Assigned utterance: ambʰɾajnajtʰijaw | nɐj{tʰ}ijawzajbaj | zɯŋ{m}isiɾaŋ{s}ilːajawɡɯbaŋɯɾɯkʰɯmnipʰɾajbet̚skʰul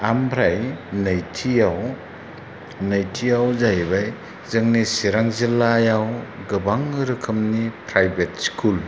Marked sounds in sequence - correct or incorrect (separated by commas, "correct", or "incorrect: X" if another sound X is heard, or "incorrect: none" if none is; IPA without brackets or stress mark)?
correct, incorrect: n, incorrect: z